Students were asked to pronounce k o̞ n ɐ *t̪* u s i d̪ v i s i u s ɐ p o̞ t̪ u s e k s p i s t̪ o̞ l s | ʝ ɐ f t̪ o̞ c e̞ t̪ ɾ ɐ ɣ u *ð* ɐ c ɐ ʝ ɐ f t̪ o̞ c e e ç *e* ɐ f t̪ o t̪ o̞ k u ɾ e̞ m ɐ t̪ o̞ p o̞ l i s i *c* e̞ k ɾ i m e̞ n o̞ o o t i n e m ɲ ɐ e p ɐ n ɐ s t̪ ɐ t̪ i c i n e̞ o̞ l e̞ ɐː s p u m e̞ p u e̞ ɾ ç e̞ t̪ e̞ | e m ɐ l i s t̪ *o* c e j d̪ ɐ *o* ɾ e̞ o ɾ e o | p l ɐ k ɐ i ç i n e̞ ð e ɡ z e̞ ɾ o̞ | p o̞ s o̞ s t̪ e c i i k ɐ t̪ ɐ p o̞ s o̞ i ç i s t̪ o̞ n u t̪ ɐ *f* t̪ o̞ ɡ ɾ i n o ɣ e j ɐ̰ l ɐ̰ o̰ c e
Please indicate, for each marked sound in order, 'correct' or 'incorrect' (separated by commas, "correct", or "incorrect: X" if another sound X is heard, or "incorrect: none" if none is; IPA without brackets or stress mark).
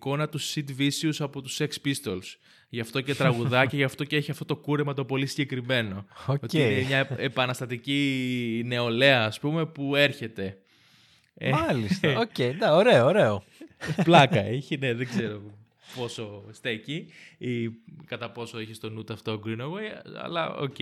correct, correct, incorrect: i, incorrect: ɟ, correct, correct, correct